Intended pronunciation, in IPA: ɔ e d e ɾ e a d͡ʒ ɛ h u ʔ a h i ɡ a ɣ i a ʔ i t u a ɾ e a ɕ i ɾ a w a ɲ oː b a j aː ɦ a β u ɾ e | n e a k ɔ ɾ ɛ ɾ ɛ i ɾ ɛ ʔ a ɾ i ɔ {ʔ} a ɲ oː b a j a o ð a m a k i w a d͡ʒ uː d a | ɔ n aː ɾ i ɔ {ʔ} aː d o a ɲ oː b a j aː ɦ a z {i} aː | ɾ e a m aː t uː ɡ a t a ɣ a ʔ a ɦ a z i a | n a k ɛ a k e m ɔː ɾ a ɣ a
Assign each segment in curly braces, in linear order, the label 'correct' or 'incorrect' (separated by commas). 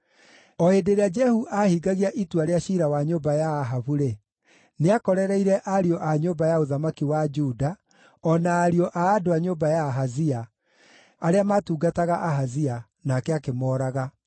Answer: correct, correct, correct